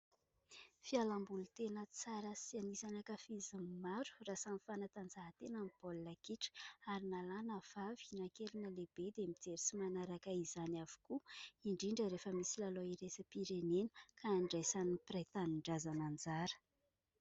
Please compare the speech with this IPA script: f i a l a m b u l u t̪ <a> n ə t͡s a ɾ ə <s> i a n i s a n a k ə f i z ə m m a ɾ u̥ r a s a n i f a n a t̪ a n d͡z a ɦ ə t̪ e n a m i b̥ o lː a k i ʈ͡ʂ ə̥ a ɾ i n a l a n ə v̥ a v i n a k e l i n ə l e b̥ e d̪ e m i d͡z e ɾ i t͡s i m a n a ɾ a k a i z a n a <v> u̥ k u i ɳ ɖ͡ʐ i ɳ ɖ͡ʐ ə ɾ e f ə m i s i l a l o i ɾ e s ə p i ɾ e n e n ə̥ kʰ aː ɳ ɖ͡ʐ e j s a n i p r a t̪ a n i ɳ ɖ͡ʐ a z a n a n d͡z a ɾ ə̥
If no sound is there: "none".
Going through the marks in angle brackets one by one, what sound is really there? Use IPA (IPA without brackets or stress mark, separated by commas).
e, s, v